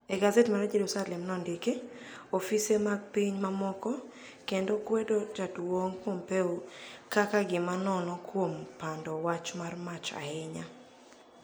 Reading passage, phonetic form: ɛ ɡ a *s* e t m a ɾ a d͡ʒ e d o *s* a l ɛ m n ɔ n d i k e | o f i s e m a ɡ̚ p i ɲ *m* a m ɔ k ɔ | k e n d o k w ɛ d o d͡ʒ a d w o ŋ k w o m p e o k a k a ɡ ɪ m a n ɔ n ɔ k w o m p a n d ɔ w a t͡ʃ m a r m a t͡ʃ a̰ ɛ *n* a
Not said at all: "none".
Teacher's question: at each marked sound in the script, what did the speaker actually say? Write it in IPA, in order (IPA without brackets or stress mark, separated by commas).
z, s, m, ɲ